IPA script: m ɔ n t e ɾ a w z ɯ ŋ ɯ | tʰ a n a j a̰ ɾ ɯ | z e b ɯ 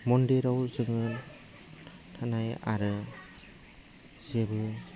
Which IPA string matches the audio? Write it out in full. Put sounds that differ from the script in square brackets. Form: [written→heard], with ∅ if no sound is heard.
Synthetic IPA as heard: m ɔ n [t→d] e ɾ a w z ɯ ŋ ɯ | tʰ a n a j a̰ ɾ ɯ | z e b ɯ